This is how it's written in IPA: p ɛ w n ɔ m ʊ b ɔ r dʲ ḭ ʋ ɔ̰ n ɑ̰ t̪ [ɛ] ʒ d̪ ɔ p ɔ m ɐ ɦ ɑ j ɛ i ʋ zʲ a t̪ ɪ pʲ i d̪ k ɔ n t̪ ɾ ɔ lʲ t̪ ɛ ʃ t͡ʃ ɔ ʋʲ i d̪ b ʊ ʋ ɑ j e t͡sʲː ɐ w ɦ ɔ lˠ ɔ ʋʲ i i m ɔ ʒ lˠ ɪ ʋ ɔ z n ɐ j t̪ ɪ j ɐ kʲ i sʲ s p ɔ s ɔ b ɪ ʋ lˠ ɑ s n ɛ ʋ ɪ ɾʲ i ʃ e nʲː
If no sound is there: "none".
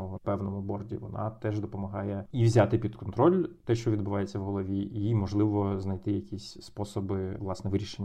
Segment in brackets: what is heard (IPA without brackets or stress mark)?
ɛ